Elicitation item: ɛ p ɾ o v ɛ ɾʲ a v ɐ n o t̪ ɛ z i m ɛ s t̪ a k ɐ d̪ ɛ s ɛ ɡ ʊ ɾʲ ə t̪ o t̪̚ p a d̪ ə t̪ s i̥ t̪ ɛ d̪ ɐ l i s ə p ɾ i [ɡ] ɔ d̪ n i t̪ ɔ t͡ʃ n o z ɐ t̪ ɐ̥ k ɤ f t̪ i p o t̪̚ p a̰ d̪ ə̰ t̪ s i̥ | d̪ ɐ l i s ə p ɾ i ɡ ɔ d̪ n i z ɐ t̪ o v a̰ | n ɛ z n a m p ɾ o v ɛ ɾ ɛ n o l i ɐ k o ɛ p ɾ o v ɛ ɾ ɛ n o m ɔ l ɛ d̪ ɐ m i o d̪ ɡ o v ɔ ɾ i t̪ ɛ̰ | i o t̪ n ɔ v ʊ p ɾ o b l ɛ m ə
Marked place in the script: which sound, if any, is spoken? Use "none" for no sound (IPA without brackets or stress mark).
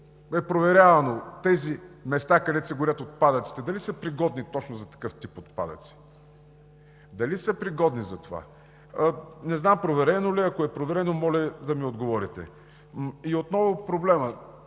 ɡ